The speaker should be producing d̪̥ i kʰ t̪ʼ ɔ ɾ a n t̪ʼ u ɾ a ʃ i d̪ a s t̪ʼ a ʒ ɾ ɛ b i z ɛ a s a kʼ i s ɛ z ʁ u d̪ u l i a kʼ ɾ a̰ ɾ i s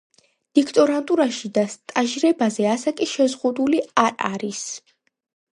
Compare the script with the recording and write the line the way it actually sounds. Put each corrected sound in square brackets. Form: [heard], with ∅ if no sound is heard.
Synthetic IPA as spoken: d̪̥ i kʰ t̪ʼ ɔ ɾ a n t̪ʼ u ɾ a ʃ i d̪ a s t̪ʼ a ʒ ɾ ɛ b [a] z ɛ a s a kʼ i [ʃ] ɛ z ʁ u d̪ u l i a [∅] ɾ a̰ ɾ i s